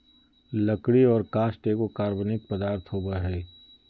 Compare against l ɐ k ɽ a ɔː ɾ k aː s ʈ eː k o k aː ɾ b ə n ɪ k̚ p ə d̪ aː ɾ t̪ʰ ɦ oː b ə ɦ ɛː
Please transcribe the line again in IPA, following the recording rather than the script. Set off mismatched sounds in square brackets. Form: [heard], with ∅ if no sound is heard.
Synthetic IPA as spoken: l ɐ k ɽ [i] ɔː ɾ k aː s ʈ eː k o k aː ɾ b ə n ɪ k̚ p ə d̪ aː ɾ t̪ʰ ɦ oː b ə ɦ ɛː